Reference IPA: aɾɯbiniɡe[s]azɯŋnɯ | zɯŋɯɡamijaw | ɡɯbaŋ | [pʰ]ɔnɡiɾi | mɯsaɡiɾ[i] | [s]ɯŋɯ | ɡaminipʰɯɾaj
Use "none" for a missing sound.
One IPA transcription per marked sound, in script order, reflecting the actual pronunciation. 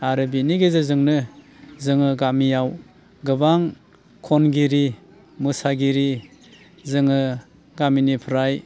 z, kʰ, i, z

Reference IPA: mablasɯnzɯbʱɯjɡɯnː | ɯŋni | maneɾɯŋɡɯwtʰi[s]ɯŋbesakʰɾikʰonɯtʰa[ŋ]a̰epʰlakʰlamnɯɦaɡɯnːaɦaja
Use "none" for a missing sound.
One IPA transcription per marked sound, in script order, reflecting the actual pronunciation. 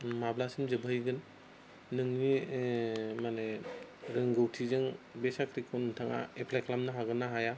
z, ŋ

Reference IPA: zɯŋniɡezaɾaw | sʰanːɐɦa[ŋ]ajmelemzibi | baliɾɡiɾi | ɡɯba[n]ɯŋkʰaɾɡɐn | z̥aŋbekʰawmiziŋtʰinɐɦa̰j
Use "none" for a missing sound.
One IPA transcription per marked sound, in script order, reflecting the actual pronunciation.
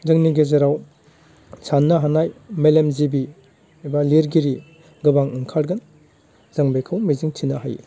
n, ŋ

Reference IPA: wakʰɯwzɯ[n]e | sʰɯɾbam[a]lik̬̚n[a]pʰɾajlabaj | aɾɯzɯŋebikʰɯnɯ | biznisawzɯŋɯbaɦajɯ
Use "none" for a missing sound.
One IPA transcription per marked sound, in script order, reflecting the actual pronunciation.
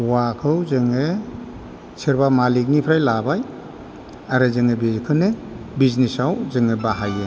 ŋ, a, i

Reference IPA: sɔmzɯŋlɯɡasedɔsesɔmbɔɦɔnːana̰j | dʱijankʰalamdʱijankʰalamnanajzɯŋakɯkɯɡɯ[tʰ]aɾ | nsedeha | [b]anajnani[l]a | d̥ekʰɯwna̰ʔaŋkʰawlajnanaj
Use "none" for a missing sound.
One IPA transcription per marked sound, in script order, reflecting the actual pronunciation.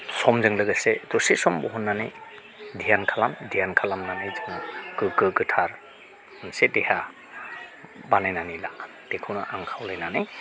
tʰ, b, l

